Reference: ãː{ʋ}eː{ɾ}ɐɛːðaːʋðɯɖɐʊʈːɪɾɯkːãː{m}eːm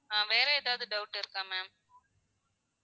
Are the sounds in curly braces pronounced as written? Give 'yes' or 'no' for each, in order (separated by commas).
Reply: yes, yes, yes